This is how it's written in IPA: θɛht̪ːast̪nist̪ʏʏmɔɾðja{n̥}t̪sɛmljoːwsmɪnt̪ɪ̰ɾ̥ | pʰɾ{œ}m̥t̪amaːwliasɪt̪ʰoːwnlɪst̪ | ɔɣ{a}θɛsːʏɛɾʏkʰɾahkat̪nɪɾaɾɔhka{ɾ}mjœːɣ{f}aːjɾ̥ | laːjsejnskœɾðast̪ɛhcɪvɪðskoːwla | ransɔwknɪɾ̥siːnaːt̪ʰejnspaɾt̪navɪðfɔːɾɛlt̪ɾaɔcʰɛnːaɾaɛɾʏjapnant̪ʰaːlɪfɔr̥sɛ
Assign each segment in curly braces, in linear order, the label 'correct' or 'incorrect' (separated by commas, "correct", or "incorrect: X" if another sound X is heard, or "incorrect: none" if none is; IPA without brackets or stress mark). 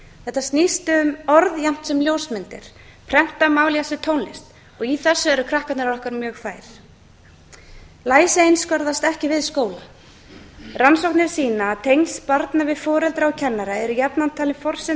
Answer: incorrect: m̥, incorrect: ɛ, incorrect: i, correct, correct